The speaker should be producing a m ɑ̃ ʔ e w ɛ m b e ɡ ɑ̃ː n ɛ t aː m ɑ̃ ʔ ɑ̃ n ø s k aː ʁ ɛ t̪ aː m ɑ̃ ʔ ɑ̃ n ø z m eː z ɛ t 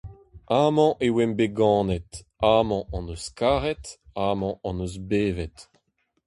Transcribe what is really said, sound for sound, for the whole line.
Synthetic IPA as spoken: a m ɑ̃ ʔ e w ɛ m b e ɡ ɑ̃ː n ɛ t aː m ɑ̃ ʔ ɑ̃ n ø s k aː ʁ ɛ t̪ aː m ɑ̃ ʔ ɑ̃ n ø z b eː v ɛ t